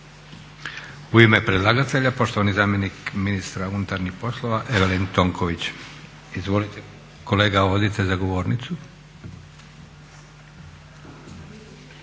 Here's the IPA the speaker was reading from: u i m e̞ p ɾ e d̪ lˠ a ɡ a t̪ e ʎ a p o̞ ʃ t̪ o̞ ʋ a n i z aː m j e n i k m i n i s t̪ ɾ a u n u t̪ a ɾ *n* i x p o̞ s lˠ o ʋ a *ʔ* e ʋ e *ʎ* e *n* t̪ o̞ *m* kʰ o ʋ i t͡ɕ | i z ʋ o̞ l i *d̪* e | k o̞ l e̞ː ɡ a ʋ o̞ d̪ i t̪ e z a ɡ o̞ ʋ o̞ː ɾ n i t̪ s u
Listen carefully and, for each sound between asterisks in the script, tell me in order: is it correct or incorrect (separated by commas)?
correct, correct, incorrect, correct, incorrect, incorrect